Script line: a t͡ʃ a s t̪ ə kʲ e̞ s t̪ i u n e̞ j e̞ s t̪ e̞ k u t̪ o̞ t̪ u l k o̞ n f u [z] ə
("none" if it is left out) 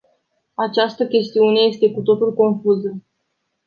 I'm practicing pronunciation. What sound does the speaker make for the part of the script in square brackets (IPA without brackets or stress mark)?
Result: z